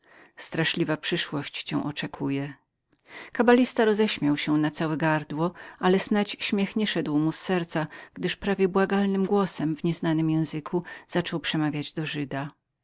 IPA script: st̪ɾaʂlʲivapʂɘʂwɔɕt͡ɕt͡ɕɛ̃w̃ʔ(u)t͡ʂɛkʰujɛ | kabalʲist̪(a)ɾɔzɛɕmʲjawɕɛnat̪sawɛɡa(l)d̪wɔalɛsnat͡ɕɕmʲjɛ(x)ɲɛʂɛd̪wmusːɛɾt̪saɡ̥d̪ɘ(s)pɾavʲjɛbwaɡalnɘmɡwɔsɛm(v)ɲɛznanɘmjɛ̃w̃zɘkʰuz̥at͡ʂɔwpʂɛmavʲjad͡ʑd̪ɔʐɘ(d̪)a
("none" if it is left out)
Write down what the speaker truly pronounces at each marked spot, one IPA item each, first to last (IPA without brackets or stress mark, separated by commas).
ɔ, a, ɾ, x, ʂ, v, d̪